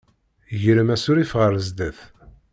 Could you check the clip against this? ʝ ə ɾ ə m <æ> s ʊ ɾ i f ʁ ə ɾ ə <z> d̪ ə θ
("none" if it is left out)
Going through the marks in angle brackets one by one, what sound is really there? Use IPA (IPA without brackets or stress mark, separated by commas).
æ, z